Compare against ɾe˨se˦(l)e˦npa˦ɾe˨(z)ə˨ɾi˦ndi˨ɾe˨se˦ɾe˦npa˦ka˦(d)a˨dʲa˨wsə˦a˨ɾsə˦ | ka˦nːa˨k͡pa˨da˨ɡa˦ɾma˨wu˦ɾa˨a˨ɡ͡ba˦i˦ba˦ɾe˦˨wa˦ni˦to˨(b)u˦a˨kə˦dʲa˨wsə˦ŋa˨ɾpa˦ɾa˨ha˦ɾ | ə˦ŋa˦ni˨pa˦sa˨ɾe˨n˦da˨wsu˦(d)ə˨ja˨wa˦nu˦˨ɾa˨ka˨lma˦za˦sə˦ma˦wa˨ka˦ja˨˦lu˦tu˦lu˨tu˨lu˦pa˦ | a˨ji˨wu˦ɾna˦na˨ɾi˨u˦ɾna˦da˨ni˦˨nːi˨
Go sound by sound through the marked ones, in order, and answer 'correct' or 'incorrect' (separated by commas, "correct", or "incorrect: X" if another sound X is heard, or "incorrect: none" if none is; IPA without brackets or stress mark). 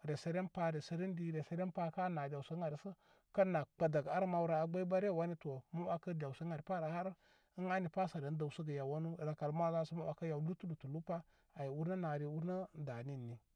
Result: incorrect: ɾ, incorrect: s, incorrect: n, incorrect: m, incorrect: ɡ